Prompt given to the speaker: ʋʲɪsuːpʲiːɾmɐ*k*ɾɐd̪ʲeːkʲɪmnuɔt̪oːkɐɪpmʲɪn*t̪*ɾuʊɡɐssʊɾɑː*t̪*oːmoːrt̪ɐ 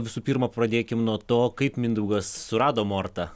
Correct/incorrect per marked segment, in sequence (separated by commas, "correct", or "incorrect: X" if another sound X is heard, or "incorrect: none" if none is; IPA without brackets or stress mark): incorrect: p, incorrect: d̪, incorrect: d̪